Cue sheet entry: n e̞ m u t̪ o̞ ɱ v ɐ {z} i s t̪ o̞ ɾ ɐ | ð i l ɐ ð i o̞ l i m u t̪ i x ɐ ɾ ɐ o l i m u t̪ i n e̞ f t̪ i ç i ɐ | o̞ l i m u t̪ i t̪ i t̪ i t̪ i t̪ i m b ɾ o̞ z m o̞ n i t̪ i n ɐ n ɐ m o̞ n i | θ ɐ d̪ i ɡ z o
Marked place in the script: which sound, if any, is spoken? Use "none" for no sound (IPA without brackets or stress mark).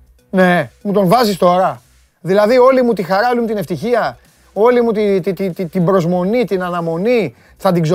z